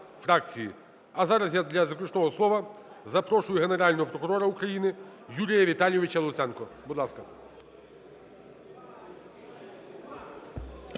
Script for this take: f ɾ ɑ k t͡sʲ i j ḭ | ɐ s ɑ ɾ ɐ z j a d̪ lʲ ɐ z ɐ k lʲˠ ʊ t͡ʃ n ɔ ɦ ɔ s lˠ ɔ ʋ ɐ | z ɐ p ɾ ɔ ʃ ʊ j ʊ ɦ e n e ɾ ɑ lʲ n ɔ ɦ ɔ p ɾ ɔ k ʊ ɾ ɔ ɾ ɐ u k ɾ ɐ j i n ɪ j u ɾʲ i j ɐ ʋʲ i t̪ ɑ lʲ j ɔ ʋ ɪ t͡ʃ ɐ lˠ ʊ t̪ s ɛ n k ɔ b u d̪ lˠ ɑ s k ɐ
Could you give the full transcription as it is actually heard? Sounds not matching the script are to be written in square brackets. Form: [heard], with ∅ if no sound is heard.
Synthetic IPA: f ɾ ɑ k t͡sʲ i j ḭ | ɐ [z] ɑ ɾ ɐ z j a d̪ lʲ ɐ z ɐ k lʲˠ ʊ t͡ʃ n ɔ ɦ ɔ s lˠ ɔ ʋ ɐ | z ɐ p ɾ ɔ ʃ ʊ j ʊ ɦ e n e ɾ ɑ lʲ n ɔ ɦ ɔ p ɾ ɔ k ʊ ɾ ɔ ɾ ɐ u k ɾ ɐ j i n ɪ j u ɾʲ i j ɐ ʋʲ i t̪ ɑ lʲ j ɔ ʋ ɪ t͡ʃ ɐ lˠ ʊ t̪ s ɛ n k ɔ b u d̪ lˠ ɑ s k ɐ

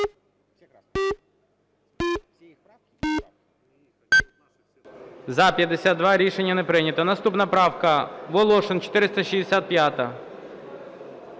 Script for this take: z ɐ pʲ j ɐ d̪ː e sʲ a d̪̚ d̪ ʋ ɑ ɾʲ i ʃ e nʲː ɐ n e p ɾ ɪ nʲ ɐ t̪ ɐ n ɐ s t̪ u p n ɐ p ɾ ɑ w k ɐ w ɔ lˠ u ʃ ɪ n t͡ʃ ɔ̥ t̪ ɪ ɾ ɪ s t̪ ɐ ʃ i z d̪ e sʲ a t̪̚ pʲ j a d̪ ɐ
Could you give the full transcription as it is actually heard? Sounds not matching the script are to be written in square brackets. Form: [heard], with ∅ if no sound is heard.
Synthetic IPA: z ɐ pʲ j ɐ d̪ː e sʲ a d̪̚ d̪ ʋ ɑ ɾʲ i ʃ e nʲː ɐ n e p ɾ ɪ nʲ ɐ t̪ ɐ n ɐ s t̪ u p n ɐ p ɾ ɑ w k ɐ [ʋ] ɔ lˠ [ɔ] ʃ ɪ n t͡ʃ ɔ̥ t̪ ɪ ɾ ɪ s t̪ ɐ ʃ i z d̪ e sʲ a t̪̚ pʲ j a [t̪] ɐ

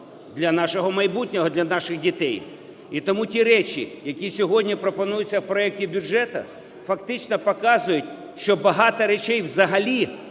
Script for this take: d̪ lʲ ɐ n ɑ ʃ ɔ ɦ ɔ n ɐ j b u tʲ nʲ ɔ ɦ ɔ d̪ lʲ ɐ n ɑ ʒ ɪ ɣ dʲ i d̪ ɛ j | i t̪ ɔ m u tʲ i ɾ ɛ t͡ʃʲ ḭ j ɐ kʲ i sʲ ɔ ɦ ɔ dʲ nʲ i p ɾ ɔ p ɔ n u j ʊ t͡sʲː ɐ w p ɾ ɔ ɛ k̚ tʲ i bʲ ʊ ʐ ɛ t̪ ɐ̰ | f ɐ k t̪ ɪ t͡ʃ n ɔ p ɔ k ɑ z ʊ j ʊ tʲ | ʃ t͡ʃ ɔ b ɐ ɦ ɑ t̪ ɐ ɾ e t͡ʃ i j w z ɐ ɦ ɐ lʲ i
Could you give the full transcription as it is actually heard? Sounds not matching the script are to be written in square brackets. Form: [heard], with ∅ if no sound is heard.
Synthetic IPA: d̪ lʲ ɐ n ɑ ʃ ɔ ɦ ɔ [m] ɐ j b u tʲ nʲ ɔ ɦ ɔ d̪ lʲ ɐ n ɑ [ʃ] ɪ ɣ dʲ i [t̪] ɛ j | i t̪ ɔ m u tʲ i ɾ ɛ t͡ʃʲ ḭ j ɐ kʲ i sʲ ɔ ɦ ɔ dʲ nʲ i p ɾ ɔ p ɔ n u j ʊ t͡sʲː ɐ w p ɾ ɔ ɛ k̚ tʲ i bʲ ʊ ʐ ɛ t̪ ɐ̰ | f ɐ k t̪ ɪ t͡ʃ n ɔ p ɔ k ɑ z ʊ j ʊ tʲ | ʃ t͡ʃ ɔ b ɐ ɦ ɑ t̪ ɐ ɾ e t͡ʃ [ɛ] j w z ɐ ɦ ɐ lʲ i

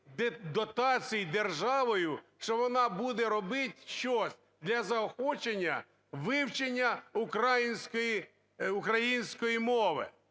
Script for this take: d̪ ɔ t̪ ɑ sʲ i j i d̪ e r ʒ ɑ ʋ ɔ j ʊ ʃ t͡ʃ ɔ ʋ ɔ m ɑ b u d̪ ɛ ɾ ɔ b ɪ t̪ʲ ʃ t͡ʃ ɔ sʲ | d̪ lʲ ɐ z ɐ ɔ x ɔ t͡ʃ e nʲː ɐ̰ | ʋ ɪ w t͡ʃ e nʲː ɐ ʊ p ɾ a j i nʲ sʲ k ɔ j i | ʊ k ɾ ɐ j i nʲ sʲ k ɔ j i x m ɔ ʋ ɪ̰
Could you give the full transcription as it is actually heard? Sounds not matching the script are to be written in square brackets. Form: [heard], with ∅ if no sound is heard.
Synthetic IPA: d̪ ɔ t̪ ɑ [t͡sʲ] i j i d̪ e r ʒ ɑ ʋ ɔ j ʊ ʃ t͡ʃ ɔ ʋ ɔ [n] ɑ b u d̪ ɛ ɾ ɔ b ɪ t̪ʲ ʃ t͡ʃ ɔ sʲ | d̪ lʲ ɐ z ɐ ɔ x ɔ t͡ʃ e nʲː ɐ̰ | ʋ ɪ w t͡ʃ e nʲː ɐ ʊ [k] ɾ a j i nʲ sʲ k ɔ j i | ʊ k ɾ ɐ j i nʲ sʲ k ɔ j i [∅] m ɔ ʋ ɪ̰

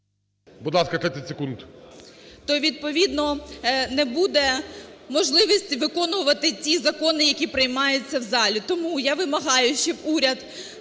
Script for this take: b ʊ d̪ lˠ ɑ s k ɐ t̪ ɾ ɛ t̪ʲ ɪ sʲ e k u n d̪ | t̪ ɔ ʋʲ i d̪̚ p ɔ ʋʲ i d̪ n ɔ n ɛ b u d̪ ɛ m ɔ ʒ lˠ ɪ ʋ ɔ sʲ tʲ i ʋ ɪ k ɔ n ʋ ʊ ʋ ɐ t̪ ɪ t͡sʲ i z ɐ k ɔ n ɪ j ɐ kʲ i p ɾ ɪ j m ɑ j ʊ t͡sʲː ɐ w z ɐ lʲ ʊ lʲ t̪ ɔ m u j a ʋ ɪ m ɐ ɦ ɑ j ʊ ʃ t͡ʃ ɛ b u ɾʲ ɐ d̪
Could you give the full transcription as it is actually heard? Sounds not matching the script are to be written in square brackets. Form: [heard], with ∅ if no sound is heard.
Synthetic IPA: b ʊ d̪ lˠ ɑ s k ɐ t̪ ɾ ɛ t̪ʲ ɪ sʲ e k u n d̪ | t̪ ɔ ʋʲ i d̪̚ p ɔ ʋʲ i d̪ n ɔ n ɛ b u d̪ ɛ m ɔ ʒ lˠ ɪ ʋ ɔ sʲ tʲ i ʋ ɪ k ɔ n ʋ ʊ ʋ ɐ t̪ ɪ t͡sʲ i z ɐ k ɔ n ɪ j ɐ kʲ i p ɾ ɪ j m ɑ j ʊ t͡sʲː ɐ w z [ɑ] lʲ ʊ [∅] t̪ ɔ m u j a ʋ ɪ m ɐ ɦ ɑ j ʊ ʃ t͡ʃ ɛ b u ɾʲ ɐ d̪

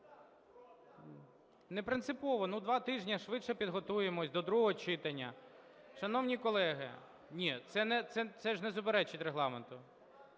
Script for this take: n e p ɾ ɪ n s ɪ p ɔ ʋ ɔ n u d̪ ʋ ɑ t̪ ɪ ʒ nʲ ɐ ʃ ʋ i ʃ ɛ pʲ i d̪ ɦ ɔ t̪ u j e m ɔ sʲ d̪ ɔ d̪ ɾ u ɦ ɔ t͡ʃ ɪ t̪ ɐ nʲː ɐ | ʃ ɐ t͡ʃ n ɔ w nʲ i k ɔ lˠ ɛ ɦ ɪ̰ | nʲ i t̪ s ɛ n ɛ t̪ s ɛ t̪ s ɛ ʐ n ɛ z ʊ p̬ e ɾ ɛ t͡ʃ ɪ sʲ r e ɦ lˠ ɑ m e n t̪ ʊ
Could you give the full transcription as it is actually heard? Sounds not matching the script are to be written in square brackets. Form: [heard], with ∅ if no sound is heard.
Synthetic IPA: n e p ɾ ɪ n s ɪ p ɔ ʋ ɔ n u d̪ ʋ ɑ t̪ ɪ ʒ nʲ ɐ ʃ ʋ [ɪ] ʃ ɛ pʲ i d̪ ɦ ɔ t̪ u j e m ɔ sʲ d̪ ɔ d̪ ɾ u ɦ ɔ t͡ʃ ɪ t̪ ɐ nʲː ɐ | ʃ ɐ [∅] n ɔ w nʲ i k ɔ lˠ ɛ ɦ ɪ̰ | nʲ i t̪ s ɛ n ɛ t̪ s ɛ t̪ s ɛ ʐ n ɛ z ʊ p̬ e ɾ ɛ t͡ʃ ɪ [tʲ] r e ɦ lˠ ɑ m e n t̪ ʊ

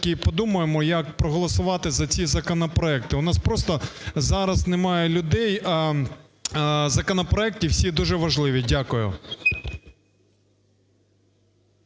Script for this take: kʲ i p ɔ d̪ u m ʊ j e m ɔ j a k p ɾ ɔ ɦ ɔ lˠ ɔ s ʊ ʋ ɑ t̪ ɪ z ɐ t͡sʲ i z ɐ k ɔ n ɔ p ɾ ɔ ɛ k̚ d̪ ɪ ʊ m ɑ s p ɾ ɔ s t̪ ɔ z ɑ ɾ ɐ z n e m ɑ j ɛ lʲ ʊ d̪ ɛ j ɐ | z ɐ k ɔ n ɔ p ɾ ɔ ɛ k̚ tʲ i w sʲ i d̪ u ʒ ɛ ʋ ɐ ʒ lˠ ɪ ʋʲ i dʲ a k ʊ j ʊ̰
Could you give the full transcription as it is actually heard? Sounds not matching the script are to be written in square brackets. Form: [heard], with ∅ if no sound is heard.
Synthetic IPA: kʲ i p ɔ d̪ u m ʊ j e m ɔ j [ɐ] k p ɾ ɔ ɦ ɔ lˠ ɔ s ʊ ʋ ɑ t̪ ɪ z ɐ t͡sʲ i z ɐ k ɔ n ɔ p ɾ ɔ ɛ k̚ [t̪] ɪ ʊ [n] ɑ s p ɾ ɔ s t̪ ɔ z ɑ ɾ ɐ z n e m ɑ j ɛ lʲ ʊ d̪ ɛ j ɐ | z ɐ k ɔ n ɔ p ɾ ɔ ɛ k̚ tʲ i w sʲ i d̪ u ʒ ɛ ʋ ɐ ʒ lˠ ɪ ʋʲ i dʲ a k ʊ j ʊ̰

